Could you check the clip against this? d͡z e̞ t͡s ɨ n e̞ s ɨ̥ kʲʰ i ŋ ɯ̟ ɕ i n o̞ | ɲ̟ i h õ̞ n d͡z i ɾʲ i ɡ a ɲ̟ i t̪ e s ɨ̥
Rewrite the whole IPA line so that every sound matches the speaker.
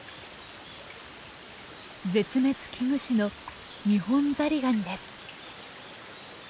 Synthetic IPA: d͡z e̞ t͡s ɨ m e̞ t͡s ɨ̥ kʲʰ i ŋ ɯ̟ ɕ i n o̞ | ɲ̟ i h õ̞ n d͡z a ɾʲ i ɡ a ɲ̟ i d̪ e s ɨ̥